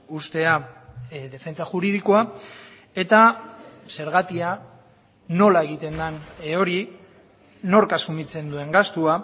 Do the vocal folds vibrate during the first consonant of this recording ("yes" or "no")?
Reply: no